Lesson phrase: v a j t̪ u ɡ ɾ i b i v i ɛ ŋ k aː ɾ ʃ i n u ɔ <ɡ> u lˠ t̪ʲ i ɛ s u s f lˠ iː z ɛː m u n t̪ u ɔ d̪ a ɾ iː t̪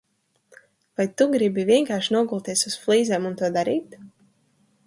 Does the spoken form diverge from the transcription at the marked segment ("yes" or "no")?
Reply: no